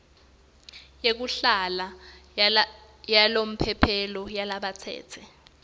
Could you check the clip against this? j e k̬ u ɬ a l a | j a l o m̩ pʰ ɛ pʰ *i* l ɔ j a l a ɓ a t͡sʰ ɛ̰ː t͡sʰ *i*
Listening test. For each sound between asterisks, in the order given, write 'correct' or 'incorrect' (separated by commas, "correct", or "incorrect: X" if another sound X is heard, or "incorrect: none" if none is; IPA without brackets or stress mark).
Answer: incorrect: ɛ, incorrect: ɛ